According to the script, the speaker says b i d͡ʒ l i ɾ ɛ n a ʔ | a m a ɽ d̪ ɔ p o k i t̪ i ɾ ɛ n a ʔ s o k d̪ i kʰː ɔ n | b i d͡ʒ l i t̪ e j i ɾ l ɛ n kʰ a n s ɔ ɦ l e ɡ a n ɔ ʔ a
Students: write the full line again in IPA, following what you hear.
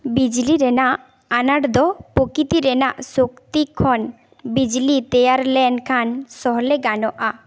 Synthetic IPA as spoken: b i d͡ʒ l i ɾ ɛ n a ʔ | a n a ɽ d̪ ɔ p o k i t̪ i ɾ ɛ n a ʔ s o k t̪ i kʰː ɔ n | b i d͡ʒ l i t̪ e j a ɾ l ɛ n kʰ a n s ɔ ɦ l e ɡ a n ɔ ʔ a